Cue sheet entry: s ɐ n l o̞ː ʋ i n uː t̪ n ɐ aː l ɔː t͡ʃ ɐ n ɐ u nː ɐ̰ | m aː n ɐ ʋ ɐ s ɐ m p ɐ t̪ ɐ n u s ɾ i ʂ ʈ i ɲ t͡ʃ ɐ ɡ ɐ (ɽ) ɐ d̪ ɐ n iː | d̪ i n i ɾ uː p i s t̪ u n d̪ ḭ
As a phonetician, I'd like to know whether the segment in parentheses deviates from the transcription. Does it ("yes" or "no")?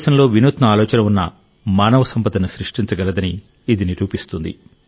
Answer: yes